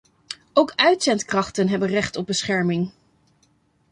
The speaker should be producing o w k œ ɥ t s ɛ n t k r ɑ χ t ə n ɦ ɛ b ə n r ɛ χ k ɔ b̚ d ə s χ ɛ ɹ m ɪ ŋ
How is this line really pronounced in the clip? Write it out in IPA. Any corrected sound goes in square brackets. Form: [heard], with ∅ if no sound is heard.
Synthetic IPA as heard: o w k œ ɥ t s ɛ n t k r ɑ χ t ə n ɦ ɛ b ə n r ɛ χ [t] ɔ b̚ [b] ə s χ ɛ ɹ m ɪ ŋ